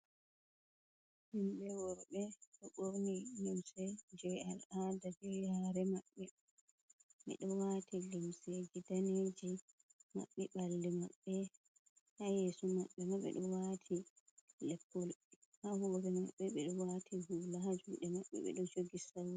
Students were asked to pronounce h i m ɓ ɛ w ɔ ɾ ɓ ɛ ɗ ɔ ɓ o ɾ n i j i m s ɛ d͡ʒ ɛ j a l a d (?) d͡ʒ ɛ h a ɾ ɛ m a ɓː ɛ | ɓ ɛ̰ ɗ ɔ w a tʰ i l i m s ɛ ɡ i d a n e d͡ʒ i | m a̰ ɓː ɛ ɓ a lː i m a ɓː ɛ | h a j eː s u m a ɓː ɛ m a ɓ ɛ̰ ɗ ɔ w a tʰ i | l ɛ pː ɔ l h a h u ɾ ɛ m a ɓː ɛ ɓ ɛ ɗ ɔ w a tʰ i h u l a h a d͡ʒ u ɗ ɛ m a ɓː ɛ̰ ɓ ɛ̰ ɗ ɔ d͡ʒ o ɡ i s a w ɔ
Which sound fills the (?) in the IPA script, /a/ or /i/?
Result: a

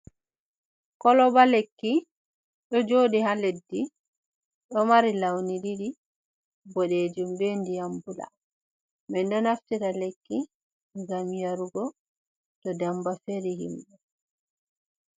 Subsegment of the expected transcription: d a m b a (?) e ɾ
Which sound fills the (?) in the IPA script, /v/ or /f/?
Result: f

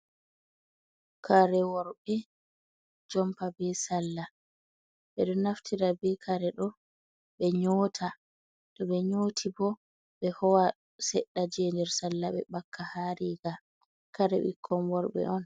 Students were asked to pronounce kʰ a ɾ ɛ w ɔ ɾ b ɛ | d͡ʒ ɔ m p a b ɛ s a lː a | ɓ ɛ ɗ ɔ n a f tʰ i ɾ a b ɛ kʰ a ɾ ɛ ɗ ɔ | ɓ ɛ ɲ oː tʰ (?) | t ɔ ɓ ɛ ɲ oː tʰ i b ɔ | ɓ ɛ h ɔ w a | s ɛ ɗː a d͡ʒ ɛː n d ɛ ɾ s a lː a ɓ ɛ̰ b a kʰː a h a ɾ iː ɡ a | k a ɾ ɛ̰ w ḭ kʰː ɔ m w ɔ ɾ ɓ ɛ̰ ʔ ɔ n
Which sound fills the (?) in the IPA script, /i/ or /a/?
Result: a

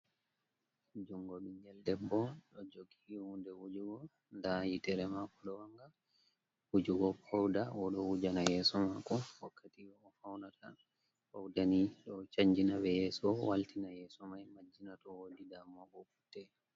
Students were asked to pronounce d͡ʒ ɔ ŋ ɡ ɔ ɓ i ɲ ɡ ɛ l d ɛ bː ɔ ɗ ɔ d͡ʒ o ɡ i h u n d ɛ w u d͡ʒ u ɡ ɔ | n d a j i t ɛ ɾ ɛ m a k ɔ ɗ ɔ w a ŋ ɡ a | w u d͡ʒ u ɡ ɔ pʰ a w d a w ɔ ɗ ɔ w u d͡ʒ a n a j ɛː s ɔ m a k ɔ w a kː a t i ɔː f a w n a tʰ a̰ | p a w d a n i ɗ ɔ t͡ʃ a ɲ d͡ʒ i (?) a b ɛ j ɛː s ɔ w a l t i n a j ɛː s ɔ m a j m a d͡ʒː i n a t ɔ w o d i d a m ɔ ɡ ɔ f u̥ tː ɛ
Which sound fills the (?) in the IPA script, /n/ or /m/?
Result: n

